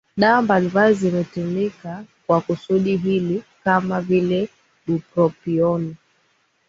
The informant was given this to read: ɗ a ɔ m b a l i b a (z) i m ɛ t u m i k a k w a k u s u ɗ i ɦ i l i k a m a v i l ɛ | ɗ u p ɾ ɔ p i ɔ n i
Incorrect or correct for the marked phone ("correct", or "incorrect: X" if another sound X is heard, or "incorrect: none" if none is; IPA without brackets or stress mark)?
correct